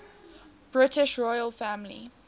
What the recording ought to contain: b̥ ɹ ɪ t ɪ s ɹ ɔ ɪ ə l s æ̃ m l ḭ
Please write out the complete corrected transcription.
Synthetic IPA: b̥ ɹ ɪ t ɪ ʃ ɹ ɔ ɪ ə l f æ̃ m l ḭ